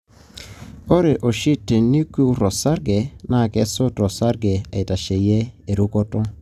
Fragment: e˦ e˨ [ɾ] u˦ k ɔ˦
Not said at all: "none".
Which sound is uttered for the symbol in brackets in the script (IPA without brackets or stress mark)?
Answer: ɾ